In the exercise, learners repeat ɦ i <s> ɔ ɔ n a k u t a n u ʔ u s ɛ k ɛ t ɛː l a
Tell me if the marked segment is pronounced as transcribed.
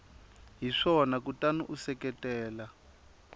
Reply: no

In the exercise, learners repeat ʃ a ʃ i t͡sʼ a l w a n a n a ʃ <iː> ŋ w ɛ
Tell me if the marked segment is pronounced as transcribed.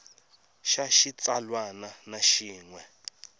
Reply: yes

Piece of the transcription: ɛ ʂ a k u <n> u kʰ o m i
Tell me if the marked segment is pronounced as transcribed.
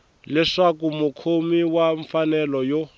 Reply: no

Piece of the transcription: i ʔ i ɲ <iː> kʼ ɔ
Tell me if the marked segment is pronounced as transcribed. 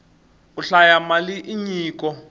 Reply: yes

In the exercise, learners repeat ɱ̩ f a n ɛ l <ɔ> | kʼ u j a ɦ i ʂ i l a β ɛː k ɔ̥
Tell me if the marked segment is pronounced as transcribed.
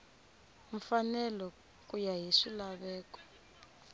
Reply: yes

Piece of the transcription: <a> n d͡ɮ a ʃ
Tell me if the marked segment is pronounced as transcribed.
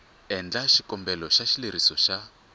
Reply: no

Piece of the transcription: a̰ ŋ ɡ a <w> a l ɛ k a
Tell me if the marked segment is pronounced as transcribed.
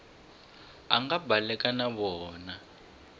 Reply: no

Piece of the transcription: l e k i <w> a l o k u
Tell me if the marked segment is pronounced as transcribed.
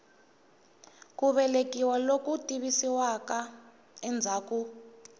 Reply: yes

